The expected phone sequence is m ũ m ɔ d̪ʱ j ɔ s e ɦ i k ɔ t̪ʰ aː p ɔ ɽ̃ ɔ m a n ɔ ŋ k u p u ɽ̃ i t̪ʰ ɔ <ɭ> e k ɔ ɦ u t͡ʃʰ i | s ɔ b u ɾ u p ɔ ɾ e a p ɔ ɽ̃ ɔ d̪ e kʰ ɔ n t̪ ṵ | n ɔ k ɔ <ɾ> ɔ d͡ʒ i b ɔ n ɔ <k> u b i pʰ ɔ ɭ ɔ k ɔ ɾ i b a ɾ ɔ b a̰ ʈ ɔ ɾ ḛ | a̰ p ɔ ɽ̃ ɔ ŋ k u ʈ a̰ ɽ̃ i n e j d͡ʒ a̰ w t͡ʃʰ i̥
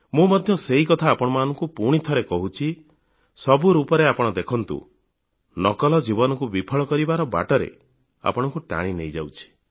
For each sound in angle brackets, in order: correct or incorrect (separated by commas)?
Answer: incorrect, incorrect, correct